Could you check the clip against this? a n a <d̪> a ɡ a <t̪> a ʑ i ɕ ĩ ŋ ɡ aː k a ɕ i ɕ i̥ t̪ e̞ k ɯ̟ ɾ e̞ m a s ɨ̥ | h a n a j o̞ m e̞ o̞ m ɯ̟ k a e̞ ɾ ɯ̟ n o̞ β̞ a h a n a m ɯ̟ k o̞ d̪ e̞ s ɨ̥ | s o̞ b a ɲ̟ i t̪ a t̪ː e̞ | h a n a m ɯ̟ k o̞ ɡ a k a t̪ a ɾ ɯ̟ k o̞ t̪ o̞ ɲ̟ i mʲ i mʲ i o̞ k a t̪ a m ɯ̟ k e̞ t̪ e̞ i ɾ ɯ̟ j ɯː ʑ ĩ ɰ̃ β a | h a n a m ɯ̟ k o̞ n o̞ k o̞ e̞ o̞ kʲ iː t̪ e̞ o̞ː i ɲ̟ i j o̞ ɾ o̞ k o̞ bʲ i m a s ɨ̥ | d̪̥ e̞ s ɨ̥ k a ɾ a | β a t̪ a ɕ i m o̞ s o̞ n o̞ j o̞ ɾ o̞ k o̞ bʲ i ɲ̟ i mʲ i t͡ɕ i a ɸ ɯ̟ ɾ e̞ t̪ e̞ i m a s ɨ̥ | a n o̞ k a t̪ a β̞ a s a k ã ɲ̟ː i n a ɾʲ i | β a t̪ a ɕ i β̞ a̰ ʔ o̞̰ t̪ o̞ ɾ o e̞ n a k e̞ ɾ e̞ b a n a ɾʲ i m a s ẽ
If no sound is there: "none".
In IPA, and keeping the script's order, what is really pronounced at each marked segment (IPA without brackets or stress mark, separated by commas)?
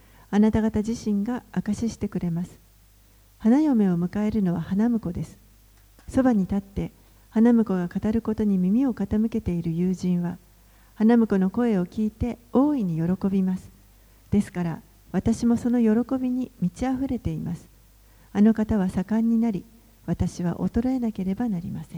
t̪, t̪